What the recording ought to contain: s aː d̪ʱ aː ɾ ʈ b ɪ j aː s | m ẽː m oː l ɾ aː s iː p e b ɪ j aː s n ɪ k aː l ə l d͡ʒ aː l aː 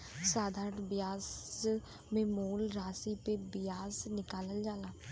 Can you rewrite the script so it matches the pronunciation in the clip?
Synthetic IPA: s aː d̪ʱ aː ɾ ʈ b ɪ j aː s | m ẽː m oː l ɾ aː s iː p e b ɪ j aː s n ɪ k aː l ə l d͡ʒ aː l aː